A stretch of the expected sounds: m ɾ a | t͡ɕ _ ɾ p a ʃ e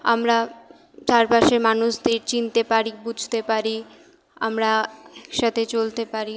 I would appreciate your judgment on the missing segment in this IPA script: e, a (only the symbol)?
a